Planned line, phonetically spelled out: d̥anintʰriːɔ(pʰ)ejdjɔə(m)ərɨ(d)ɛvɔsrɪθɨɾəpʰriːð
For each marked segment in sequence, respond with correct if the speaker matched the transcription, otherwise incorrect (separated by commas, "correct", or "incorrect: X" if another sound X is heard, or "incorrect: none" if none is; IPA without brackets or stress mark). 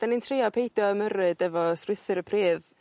correct, correct, correct